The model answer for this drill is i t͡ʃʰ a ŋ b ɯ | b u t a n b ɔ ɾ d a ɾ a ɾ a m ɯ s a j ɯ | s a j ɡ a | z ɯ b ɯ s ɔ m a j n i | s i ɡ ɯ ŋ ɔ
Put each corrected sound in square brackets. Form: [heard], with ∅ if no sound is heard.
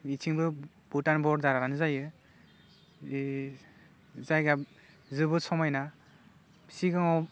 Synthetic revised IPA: i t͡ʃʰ [i] ŋ b ɯ | b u t a n b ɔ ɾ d a ɾ a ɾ a [n] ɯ [z] a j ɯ | [z] a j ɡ a | z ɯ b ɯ s ɔ m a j n [a] | s i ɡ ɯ ŋ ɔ